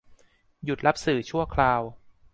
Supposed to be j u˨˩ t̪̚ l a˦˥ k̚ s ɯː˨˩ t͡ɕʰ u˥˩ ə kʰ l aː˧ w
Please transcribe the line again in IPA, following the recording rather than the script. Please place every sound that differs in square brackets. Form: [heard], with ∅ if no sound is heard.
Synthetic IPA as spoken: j u˨˩ t̪̚ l a˦˥ [p̚] s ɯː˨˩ t͡ɕʰ u˥˩ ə kʰ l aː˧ w